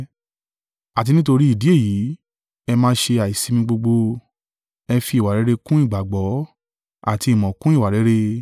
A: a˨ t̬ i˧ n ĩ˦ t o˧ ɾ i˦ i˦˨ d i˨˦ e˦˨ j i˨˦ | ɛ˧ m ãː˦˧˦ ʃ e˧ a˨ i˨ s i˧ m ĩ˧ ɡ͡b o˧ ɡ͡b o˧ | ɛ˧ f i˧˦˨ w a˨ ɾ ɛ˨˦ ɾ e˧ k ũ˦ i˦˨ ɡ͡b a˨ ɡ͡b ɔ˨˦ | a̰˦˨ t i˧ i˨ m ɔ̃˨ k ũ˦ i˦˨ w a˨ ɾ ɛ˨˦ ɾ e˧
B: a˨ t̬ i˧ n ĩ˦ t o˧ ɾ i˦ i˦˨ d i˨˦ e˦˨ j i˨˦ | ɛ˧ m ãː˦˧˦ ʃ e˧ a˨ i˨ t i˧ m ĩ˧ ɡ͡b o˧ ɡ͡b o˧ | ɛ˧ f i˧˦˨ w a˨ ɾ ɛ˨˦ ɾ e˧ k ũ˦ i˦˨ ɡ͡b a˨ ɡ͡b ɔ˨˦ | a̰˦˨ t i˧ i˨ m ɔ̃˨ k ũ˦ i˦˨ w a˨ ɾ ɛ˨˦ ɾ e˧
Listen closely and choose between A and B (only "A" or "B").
A